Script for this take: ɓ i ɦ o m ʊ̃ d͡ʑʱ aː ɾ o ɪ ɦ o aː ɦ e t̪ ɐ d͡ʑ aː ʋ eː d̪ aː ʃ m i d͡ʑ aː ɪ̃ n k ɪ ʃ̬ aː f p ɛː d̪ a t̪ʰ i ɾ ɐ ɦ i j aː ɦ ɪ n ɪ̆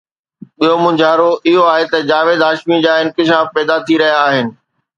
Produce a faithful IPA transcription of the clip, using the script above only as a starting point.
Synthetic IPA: ɓ i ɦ o m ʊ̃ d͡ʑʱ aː ɾ o ɪ ɦ o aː ɦ e t̪ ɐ d͡ʑ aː ʋ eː d̪ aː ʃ m i d͡ʑ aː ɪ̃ n k ɪ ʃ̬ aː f p ɛː d̪ a t̪ʰ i ɾ ɐ ɦ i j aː ɦ ɪ n ɪ̆

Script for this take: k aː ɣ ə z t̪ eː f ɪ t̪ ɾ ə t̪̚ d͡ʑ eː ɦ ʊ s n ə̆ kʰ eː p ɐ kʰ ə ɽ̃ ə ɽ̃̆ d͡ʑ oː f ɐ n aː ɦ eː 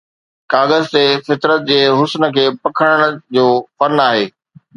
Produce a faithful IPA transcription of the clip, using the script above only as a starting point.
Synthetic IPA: k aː ɣ ə z t̪ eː f ɪ t̪ ɾ ə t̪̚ d͡ʑ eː ɦ ʊ s n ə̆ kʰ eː p ɐ kʰ ə ɽ̃ ə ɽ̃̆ d͡ʑ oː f ɐ n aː ɦ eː

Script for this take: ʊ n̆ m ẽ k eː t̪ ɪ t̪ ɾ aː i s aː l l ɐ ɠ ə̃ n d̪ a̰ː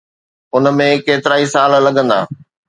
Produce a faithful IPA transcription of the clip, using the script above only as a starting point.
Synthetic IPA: ʊ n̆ m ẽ k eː t̪ ɪ ɾ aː i s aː l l ɐ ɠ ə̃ n d̪ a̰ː

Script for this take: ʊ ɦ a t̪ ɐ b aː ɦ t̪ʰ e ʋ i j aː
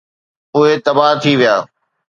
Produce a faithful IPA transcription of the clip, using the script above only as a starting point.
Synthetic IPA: ʊ ɦ e t̪ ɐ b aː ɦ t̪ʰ i ʋ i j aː

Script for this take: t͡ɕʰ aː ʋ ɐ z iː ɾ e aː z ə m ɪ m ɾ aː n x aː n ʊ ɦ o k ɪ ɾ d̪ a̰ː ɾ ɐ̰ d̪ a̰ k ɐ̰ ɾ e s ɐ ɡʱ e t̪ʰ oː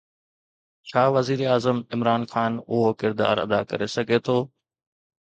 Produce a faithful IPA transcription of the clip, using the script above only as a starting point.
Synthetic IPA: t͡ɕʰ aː ʋ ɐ z iː ɾ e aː z ə m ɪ m ɾ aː n x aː n ʊ ɦ o k ɪ ɾ d̪ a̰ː ɾ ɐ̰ d̪ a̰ k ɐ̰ ɾ e s ɐ ɡʱ e t̪ʰ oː

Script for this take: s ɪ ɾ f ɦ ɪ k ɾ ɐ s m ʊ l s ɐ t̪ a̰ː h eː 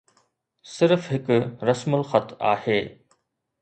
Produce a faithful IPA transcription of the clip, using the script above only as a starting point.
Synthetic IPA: s ɪ ɾ f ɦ ɪ k ɾ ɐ s m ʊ l x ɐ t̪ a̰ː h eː

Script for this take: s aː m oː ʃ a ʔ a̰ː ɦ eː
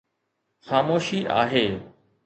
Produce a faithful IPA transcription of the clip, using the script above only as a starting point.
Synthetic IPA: x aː m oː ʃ i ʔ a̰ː ɦ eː

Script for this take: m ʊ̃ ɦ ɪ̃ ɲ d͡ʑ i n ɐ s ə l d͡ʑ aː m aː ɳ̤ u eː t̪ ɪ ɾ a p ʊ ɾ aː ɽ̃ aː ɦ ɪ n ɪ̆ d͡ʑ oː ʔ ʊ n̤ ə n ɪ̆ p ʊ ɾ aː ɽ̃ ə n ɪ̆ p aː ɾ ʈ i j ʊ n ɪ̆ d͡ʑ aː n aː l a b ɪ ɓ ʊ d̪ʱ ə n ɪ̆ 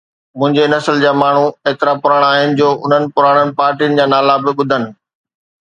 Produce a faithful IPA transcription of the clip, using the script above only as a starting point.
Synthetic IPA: m ʊ̃ ɦ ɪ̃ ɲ d͡ʑ e n ɐ s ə l d͡ʑ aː m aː ɳ̤ u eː t̪ ɪ ɾ a p ʊ ɾ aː ɽ̃ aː ɦ ɪ n ɪ̆ d͡ʑ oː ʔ ʊ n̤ ə n ɪ̆ p ʊ ɾ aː ɽ̃ ə n ɪ̆ p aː ɾ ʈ i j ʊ n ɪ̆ d͡ʑ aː n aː l a b ɪ ɓ ʊ d̪ʱ ə n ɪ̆

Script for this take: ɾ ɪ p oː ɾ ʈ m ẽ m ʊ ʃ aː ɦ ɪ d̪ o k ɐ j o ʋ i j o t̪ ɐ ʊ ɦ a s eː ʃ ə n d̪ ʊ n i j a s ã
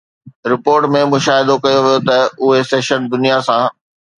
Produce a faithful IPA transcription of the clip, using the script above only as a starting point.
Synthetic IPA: ɾ ɪ p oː ɾ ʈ m ẽ m ʊ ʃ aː ɦ ɪ d̪ o k ɐ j o ʋ i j o t̪ ɐ ʊ ɦ e s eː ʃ ə n d̪ ʊ n i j a s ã

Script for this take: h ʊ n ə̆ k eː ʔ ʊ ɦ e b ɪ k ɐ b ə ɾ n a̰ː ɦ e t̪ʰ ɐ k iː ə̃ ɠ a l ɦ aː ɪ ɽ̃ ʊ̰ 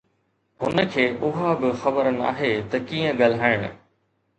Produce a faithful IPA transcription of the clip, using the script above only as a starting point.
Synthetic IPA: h ʊ n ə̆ kʰ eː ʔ ʊ ɦ a b ɪ x ɐ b ə ɾ n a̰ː ɦ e t̪ ɐ k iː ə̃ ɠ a l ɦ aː ɪ ɽ̃ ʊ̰

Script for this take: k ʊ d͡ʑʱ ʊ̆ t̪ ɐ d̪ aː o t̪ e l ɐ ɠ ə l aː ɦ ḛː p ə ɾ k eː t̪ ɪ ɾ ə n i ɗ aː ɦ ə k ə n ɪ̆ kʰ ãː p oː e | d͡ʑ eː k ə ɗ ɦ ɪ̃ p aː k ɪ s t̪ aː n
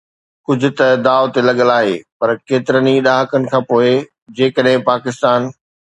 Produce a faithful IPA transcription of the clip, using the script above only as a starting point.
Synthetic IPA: k ʊ d͡ʑʱ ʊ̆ t̪ ɐ d̪ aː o t̪ e l ɐ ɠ ə l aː ɦ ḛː p ɐ ɾ k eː t̪ ɪ ɾ ə n i ɗ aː ɦ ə k ə n ɪ̆ kʰ ãː p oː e | d͡ʑ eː k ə ɗ ɦ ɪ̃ p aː k ɪ s t̪ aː n

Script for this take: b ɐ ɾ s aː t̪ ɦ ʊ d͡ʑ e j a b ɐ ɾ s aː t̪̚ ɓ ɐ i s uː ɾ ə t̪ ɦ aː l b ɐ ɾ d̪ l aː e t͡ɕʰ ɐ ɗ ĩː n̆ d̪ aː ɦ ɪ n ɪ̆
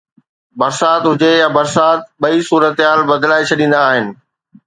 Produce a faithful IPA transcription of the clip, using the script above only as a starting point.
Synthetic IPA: b ɐ ɾ s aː t̪ ɦ ʊ d͡ʑ e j a b ɐ ɾ s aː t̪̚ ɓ ɐ i s uː ɾ ə t̪ ɦ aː l b ɐ d̪ l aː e t͡ɕʰ ɐ ɗ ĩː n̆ d̪ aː ɦ ɪ n ɪ̆

